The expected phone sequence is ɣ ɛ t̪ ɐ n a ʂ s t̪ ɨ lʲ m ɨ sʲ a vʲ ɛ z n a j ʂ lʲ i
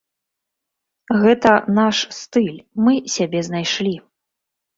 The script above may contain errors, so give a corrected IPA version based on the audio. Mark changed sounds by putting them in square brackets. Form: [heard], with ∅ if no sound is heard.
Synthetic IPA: ɣ ɛ t̪ ɐ n a ʂ s t̪ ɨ lʲ m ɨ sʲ a [bʲ] ɛ z n a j ʂ lʲ i